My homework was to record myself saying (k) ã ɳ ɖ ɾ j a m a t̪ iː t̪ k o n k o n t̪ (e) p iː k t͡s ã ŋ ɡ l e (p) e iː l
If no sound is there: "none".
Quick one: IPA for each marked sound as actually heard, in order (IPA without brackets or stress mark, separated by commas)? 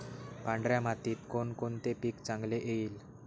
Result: p, e, ʔ